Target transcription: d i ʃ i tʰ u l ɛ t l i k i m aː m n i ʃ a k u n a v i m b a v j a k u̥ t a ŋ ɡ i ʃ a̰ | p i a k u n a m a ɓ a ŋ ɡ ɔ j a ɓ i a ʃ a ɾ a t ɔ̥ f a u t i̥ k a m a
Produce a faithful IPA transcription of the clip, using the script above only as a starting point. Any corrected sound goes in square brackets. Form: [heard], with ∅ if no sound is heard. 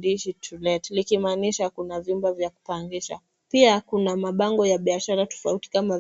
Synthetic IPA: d i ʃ i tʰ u l ɛ t l i k i m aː [∅] n i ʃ a k u n a v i m b a v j a k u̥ [p] a ŋ ɡ i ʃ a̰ | p i a k u n a m a ɓ a ŋ ɡ ɔ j a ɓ i a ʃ a ɾ a t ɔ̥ f a u t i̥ k a m a